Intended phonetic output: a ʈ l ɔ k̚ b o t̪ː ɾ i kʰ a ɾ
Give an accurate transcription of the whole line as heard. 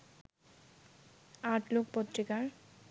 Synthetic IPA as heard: a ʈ l o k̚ p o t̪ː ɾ i k a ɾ